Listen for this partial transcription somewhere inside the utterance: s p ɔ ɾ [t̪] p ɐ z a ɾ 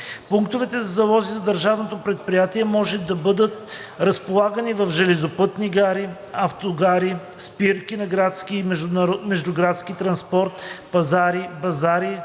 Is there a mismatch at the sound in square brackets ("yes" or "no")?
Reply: no